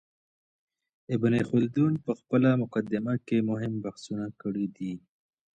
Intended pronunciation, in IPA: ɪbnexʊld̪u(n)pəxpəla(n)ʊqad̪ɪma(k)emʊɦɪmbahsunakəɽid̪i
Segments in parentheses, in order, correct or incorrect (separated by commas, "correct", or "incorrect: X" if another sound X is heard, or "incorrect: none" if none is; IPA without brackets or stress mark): correct, incorrect: m, correct